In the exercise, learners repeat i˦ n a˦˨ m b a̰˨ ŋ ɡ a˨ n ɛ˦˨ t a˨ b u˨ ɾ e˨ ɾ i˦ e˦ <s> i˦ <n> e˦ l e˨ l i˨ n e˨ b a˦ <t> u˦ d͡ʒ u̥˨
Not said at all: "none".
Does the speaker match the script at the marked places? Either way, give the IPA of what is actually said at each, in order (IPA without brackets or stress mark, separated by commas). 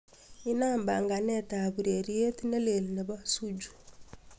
t, n, s